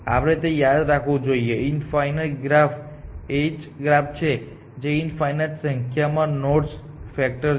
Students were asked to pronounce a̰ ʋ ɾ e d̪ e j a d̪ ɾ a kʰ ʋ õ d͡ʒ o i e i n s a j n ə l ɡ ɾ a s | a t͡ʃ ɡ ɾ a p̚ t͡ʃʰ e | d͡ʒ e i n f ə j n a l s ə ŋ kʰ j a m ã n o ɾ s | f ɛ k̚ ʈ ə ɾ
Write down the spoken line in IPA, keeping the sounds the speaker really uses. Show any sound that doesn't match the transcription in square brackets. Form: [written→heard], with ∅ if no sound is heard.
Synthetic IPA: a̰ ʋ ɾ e [d̪→t̪] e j a d̪ ɾ a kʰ ʋ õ d͡ʒ o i e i n [s→f] a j n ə l ɡ ɾ a [s→f] | [a→e] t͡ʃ ɡ ɾ a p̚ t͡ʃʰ e | d͡ʒ e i n f [ə→a] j n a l s ə ŋ kʰ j a m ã n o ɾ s | f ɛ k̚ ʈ ə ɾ